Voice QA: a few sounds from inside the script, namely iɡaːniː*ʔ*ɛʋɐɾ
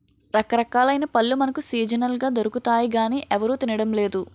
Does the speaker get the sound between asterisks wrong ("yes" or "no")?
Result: no